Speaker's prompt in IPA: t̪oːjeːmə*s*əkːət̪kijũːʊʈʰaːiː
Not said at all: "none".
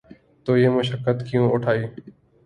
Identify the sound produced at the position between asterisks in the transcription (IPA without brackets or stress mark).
ʃ